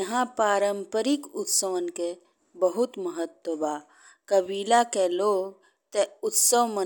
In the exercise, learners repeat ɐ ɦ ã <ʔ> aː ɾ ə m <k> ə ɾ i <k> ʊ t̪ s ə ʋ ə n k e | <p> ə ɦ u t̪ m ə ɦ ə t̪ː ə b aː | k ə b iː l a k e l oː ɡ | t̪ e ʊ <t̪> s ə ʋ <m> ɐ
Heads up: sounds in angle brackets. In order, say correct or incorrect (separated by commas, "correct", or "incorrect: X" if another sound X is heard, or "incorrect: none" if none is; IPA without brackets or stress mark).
incorrect: p, incorrect: p, correct, incorrect: b, correct, correct